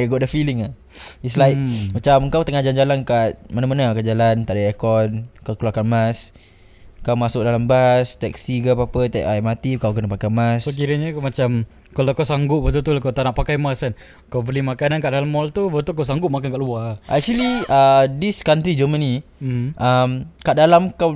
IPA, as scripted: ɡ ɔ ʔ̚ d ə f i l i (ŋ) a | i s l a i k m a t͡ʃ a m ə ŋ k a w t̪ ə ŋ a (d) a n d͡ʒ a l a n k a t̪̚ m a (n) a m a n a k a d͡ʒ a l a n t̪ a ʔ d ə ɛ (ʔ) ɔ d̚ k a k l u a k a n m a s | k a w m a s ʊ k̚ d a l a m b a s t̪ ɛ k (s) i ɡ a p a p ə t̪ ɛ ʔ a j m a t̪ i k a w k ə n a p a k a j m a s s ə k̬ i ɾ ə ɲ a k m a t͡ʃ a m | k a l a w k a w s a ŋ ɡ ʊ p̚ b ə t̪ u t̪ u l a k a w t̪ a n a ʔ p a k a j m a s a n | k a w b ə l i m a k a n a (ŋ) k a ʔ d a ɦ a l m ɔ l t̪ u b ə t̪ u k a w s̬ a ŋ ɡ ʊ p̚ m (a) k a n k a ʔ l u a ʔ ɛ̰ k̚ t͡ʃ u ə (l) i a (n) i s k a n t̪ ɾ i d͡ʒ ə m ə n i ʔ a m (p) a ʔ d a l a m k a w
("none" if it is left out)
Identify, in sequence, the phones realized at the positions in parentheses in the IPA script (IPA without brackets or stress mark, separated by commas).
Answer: ŋ, d͡ʒ, n, k, s, n, a, l, d, k